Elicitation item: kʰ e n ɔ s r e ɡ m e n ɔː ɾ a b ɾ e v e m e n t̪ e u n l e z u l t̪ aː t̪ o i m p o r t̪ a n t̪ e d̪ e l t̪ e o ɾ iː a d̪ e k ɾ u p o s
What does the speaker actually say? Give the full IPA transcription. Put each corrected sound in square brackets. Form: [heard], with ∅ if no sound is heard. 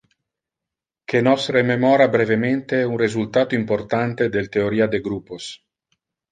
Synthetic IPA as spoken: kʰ e n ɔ s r e [∅] m e [m] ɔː ɾ a b ɾ e v e m e n t̪ e u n [r] e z u l t̪ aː t̪ o i m p o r t̪ a n t̪ e d̪ e l t̪ e o ɾ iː a d̪ e [ɡ] ɾ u p o s